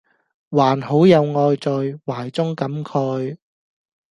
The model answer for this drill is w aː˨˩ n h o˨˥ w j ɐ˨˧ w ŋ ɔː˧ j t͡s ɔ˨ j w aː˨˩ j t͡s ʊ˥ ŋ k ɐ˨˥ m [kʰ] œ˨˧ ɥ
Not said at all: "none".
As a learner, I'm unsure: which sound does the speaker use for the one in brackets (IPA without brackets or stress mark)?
kʰ